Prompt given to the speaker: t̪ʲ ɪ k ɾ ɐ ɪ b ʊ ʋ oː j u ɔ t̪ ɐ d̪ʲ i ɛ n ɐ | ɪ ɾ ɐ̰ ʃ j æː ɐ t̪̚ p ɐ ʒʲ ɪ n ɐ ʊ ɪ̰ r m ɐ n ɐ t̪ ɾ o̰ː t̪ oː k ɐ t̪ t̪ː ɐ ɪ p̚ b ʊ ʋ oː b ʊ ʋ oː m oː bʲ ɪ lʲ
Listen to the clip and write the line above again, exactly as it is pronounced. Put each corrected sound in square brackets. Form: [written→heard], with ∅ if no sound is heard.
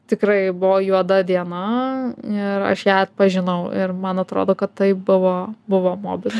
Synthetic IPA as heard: t̪ʲ ɪ k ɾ ɐ ɪ b ʊ ʋ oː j u ɔ [t̪→d̪] ɐ d̪ʲ i ɛ n ɐ | ɪ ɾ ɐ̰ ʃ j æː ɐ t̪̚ p ɐ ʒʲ ɪ n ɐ ʊ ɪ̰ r m ɐ n ɐ t̪ ɾ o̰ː [t̪→d̪] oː k ɐ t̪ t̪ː ɐ ɪ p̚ b ʊ ʋ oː b ʊ ʋ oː m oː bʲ ɪ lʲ

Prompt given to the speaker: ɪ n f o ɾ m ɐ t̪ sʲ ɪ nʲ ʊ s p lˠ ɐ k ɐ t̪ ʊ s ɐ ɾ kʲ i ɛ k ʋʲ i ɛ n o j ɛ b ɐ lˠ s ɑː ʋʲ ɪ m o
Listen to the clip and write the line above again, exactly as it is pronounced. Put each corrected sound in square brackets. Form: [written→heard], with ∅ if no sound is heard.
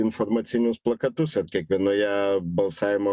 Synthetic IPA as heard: ɪ n f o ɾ m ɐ t̪ sʲ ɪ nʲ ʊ s p lˠ ɐ k ɐ t̪ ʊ s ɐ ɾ kʲ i ɛ k ʋʲ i ɛ n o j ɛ b ɐ lˠ s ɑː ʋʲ ɪ m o

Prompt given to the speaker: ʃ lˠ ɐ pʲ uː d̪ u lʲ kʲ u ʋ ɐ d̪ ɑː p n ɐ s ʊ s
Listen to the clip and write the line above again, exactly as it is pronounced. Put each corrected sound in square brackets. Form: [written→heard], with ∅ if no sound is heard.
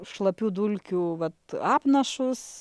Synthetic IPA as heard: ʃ lˠ ɐ pʲ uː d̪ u lʲ kʲ u ʋ ɐ [d̪→t̪] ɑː p n ɐ [s→ʃ] ʊ s

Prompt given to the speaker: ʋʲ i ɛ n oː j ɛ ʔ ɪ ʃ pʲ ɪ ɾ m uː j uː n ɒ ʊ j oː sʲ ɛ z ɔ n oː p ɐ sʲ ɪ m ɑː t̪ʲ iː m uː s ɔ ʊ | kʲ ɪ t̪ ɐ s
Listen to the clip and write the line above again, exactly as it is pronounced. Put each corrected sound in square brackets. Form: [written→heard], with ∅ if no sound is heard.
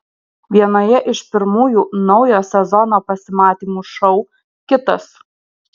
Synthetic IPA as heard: ʋʲ i ɛ n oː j ɛ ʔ ɪ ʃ pʲ ɪ ɾ m uː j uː n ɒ ʊ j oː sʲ ɛ z ɔ n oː p ɐ sʲ ɪ m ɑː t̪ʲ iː m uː [s→ʃ] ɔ ʊ | kʲ ɪ t̪ ɐ s

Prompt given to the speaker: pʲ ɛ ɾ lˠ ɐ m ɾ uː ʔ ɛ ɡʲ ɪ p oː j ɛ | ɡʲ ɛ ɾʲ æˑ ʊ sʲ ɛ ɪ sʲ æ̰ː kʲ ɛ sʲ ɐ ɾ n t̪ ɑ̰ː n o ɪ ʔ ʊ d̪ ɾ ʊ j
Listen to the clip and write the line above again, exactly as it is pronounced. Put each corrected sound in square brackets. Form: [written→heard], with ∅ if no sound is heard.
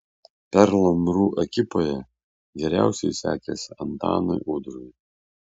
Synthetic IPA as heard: pʲ ɛ ɾ lˠ ɐ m ɾ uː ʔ ɛ [ɡʲ→kʲ] ɪ p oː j ɛ | ɡʲ ɛ ɾʲ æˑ ʊ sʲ ɛ ɪ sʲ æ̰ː kʲ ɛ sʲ ɐ [ɾ→∅] n t̪ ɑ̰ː n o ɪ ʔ ʊ d̪ ɾ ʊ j

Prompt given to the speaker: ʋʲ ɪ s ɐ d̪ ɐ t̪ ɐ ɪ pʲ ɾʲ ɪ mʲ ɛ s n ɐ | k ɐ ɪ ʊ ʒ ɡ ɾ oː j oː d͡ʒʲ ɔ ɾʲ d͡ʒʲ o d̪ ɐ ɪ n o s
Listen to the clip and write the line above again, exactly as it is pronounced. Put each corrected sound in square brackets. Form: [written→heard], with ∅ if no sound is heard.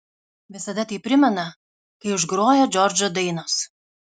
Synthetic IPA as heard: ʋʲ ɪ s ɐ d̪ ɐ t̪ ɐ ɪ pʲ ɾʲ ɪ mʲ ɛ [s→∅] n ɐ | k ɐ ɪ ʊ ʒ ɡ ɾ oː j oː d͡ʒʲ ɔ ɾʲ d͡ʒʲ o d̪ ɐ ɪ n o s

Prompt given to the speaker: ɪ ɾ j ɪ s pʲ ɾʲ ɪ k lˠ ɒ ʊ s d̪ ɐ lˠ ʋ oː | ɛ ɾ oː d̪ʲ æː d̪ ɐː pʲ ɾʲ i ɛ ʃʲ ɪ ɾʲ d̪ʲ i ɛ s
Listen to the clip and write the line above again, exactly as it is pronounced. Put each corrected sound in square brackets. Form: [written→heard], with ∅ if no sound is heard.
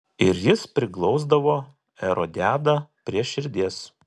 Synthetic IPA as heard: ɪ ɾ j ɪ s pʲ ɾʲ ɪ k lˠ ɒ ʊ [s→z] d̪ ɐ [lˠ→∅] ʋ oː | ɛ ɾ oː d̪ʲ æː d̪ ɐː pʲ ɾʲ i ɛ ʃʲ ɪ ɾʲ d̪ʲ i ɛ s

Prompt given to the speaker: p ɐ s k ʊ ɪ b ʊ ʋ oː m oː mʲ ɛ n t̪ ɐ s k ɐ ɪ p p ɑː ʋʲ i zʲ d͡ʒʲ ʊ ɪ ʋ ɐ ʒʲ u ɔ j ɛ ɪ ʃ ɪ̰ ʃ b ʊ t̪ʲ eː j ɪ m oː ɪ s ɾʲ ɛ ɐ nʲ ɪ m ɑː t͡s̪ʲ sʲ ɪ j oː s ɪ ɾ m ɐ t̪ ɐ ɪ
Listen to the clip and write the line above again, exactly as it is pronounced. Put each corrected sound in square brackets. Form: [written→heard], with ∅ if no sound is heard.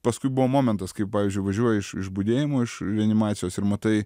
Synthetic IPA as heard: p ɐ s k ʊ ɪ b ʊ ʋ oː m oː mʲ ɛ n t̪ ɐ s k ɐ ɪ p p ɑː ʋʲ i zʲ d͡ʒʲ ʊ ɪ ʋ ɐ ʒʲ u ɔ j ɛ ɪ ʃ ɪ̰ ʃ b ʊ [t̪ʲ→d̪ʲ] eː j ɪ m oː ɪ [s→ʃ] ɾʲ ɛ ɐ nʲ ɪ m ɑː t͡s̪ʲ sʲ ɪ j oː s ɪ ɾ m ɐ t̪ ɐ ɪ

